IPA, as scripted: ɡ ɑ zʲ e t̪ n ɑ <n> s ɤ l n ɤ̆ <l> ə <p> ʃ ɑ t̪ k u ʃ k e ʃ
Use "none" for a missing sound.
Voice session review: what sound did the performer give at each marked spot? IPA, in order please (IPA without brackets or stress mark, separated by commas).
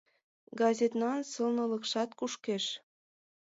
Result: n, l, k